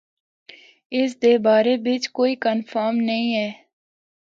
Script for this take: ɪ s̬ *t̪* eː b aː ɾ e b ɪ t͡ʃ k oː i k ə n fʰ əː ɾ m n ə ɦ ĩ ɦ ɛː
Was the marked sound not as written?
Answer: yes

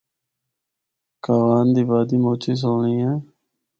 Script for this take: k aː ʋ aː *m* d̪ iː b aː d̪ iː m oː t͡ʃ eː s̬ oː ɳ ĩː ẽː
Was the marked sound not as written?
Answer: yes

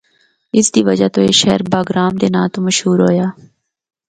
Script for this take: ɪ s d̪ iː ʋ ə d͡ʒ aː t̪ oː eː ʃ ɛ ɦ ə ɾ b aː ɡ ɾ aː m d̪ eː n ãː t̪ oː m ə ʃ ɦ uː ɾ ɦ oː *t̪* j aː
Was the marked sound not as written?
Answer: yes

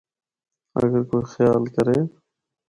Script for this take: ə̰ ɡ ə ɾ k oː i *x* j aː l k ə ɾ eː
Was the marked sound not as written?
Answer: no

